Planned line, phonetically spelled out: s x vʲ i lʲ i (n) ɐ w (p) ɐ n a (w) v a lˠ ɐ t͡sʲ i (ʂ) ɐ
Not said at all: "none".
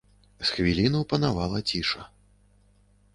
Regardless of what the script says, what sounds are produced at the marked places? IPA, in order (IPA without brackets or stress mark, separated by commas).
n, p, none, ʂ